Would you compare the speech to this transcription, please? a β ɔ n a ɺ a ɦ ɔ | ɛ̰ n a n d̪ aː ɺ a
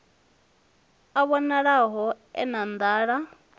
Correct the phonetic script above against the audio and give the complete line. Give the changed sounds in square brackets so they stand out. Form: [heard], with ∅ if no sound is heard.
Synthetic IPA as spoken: a β ɔ n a ɺ a ɦ ɔ | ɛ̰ n a n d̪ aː ɺ a